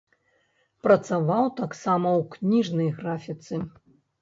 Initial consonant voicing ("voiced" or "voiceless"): voiceless